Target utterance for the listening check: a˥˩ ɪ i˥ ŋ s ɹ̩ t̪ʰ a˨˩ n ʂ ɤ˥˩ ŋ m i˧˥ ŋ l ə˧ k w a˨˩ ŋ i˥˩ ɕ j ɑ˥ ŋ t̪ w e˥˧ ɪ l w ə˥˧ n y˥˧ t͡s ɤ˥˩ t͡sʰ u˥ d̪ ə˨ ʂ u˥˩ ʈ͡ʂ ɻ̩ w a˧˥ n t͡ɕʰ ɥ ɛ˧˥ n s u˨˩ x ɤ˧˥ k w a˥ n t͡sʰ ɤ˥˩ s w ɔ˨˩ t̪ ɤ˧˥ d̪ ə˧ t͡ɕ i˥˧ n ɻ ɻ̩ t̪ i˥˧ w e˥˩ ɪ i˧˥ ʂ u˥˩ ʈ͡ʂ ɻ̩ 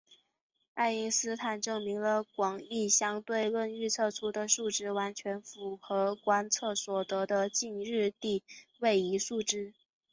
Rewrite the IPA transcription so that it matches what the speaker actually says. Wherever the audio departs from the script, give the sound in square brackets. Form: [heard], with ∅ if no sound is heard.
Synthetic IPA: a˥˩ ɪ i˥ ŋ s ɹ̩ t̪ʰ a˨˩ n [ʈ͡ʂ] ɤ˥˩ ŋ m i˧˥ ŋ l ə˧ k w [ɑ˨˩] ŋ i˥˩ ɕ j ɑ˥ ŋ t̪ w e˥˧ ɪ l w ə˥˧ n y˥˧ [t͡sʰ] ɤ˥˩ t͡sʰ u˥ d̪ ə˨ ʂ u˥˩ ʈ͡ʂ ɻ̩ w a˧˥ n t͡ɕʰ ɥ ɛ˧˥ n [f] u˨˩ x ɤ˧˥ k w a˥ n t͡sʰ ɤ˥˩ s w ɔ˨˩ t̪ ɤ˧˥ d̪ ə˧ t͡ɕ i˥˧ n ɻ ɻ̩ t̪ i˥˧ w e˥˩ ɪ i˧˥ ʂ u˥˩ ʈ͡ʂ ɻ̩